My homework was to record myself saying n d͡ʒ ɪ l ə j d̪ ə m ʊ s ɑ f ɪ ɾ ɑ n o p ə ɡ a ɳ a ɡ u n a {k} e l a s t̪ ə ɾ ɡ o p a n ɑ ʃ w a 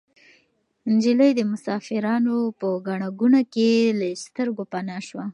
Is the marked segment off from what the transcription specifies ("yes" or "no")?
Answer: no